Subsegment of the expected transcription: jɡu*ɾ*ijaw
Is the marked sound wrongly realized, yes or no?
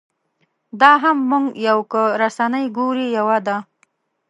no